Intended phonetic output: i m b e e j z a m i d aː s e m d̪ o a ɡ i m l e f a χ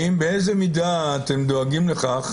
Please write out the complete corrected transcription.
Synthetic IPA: i m b e e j z e m i d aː t e m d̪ o a ɡ i m l e χ a χ

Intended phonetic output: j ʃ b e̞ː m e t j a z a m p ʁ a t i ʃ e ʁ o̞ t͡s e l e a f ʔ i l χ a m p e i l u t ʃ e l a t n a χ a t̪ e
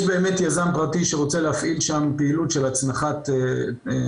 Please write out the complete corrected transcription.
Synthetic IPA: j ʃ b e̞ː m e t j a z a m p ʁ a t i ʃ e ʁ o̞ t͡s e l e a f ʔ i l ʃ a m p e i l u t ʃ e l a t͡s n a χ a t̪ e

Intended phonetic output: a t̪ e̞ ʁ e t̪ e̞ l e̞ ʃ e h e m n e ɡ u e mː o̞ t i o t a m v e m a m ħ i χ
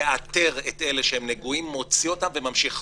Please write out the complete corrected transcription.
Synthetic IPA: a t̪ e̞ ʁ e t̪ e̞ l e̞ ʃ e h e m n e ɡ u i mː o̞ t͡s i o t a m v e m a m ʃ i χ

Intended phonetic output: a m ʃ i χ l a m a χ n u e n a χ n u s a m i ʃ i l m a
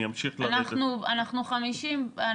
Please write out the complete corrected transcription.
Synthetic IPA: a m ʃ i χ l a n a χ n u a n a χ n u χ a m i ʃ i m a

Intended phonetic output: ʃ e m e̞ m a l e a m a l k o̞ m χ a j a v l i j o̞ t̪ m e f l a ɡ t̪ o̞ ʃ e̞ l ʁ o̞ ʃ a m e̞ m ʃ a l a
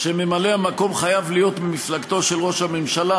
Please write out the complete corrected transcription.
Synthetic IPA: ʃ e m e̞ m a l e a m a k o̞ m χ a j a v l i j o̞ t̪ m i f l a ɡ t̪ o̞ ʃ e̞ l ʁ o̞ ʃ a m e̞ m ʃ a l a

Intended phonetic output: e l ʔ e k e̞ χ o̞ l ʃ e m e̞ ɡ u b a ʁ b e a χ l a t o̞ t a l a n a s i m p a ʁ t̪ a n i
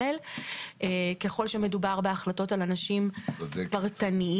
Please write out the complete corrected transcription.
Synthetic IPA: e l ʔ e k e̞ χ o̞ l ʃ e m e̞ d u b a ʁ b e a χ l a t o̞ t a l a n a ʃ i m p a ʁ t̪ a n i

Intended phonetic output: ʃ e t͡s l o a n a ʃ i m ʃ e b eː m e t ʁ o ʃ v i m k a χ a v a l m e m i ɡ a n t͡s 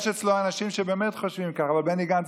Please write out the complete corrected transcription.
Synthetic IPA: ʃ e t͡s l o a n a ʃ i m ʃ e b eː m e t χ o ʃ v i m k a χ a v a l b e n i ɡ a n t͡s

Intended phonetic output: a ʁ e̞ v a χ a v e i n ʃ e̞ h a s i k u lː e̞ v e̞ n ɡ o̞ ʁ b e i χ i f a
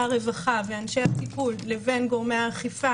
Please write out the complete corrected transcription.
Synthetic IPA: a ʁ e̞ v a χ a v e a n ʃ e̞ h a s i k u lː e̞ v e̞ n ɡ o̞ ʁ m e a χ i f a

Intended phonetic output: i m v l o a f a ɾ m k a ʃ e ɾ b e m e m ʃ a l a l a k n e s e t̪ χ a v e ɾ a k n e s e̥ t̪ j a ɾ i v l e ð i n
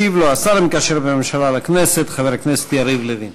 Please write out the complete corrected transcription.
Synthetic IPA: i v l o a s a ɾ m k a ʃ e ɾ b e m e m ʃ a l a l a k n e s e t̪ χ a v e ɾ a k n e s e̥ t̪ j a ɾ i v l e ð i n

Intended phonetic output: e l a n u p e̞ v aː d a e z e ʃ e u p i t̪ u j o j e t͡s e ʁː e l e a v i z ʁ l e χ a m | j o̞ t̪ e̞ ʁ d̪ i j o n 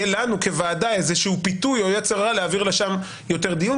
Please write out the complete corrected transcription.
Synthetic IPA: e l a n u k e̞ v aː d a e z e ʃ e u p i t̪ u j o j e t͡s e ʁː a l e a v i ʁ l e ʃ a m | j o̞ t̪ e̞ ʁ d̪ i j u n

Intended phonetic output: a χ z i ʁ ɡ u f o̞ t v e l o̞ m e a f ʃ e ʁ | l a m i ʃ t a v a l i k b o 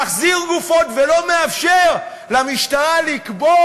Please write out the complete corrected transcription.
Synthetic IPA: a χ z i ʁ ɡ u f o̞ t v e l o̞ m e a f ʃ e ʁ | l a m i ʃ t a ʁ a l i k b o

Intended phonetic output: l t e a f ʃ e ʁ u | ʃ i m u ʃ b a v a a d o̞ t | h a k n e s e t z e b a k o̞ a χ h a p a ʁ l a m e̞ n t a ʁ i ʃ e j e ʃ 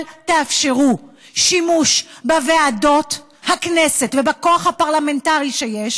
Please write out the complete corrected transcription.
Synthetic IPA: l t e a f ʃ e ʁ u | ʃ i m u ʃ b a v e a d o̞ t | h a k n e s e t v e b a k o̞ a χ h a p a ʁ l a m e̞ n t a ʁ i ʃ e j e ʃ

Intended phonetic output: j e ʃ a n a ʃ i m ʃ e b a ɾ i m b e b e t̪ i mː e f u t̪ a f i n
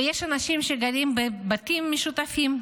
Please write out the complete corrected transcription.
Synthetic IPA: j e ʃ a n a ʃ i m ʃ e ɡ a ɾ i m b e b a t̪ i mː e ʃ u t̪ a f i m

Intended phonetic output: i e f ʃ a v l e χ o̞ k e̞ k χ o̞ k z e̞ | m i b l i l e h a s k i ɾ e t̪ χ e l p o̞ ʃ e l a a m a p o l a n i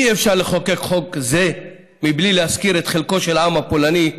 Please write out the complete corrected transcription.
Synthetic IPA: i e f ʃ a ʁ l e χ o̞ k e̞ k χ o̞ k z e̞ | m i b l i l e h a s k i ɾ e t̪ χ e l k o̞ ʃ e l a a m a p o l a n i

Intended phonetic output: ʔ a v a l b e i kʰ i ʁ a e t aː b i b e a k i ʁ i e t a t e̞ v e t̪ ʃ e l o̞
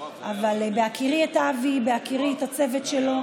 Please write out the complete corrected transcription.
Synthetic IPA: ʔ a v a l b e a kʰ i ʁ i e t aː v i b e a k i ʁ i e t a t͡s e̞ v e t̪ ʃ e l o̞

